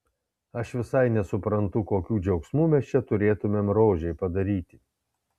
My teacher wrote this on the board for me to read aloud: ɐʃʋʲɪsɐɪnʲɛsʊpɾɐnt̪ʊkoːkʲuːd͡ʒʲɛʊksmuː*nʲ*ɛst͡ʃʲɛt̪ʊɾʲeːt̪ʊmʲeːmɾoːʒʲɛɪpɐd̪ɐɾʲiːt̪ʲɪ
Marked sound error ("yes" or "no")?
yes